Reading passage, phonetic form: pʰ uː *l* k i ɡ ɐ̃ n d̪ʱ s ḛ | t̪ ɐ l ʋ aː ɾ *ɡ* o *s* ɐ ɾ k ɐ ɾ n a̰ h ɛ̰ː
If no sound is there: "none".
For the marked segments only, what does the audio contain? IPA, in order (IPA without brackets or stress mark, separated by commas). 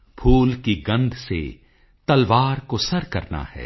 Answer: l, k, s